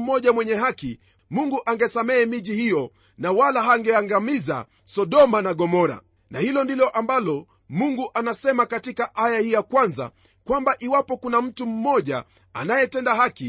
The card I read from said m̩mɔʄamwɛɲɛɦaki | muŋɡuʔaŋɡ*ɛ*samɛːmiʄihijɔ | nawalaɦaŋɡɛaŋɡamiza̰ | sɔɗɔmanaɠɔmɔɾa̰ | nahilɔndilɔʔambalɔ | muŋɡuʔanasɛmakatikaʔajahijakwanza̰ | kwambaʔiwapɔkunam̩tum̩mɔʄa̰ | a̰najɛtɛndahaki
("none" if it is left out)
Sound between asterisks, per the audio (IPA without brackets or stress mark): ɛ